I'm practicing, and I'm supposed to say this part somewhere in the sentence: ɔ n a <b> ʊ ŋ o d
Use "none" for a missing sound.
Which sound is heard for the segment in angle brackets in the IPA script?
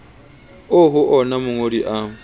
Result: m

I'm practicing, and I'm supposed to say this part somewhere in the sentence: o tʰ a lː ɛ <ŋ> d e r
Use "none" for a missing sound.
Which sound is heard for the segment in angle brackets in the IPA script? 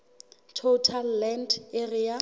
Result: n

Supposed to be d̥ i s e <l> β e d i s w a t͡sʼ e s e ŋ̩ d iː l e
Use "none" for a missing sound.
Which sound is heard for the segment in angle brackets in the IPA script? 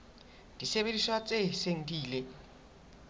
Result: none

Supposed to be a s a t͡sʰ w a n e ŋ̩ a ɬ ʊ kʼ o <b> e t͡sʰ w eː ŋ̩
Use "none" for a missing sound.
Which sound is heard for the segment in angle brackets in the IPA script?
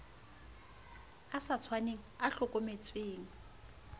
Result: m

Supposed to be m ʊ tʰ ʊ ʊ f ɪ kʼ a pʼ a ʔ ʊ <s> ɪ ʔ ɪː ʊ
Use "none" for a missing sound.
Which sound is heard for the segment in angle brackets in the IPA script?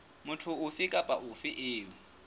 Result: f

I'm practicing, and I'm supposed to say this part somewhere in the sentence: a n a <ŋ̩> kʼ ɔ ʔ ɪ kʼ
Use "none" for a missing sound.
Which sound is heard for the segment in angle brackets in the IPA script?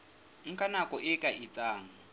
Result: none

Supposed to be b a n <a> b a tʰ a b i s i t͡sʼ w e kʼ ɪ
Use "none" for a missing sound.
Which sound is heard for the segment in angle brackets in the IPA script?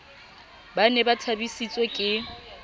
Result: ɛ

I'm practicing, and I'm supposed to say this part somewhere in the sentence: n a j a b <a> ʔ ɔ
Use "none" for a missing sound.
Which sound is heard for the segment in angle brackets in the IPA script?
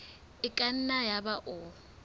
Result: a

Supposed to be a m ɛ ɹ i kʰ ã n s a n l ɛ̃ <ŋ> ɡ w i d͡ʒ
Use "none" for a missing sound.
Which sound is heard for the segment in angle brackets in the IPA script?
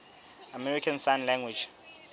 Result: ŋ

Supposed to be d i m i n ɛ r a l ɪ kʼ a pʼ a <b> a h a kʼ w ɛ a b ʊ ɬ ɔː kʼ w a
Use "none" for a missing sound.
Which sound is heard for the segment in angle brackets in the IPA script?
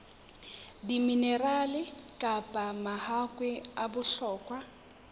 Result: m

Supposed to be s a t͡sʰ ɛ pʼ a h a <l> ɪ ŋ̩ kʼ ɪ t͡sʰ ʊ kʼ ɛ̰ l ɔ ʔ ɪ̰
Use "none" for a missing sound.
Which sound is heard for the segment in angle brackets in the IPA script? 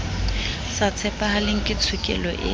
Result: l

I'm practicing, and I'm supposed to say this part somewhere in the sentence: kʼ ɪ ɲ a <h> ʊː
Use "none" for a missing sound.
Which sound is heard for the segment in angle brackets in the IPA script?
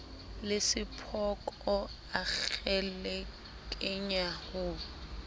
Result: h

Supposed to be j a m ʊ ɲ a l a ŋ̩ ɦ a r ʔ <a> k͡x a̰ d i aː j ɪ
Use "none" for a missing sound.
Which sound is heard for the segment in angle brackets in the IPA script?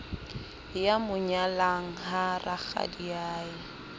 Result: a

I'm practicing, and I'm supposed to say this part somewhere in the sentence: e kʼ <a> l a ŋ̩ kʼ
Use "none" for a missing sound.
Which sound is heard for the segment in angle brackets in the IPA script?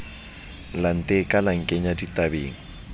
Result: a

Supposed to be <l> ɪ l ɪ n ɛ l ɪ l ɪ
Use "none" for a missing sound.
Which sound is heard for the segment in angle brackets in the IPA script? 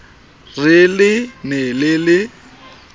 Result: r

